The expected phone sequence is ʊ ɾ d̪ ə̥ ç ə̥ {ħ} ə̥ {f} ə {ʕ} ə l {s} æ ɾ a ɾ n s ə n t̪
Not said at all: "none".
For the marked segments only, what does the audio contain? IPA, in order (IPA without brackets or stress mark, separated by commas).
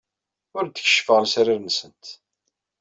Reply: ʃ, f, ʁ, s